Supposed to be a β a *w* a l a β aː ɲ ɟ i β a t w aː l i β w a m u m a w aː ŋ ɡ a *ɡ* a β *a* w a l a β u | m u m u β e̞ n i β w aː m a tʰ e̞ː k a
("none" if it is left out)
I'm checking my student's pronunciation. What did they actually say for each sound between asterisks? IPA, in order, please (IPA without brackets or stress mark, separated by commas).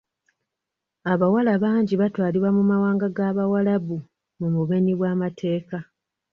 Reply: w, ɡ, a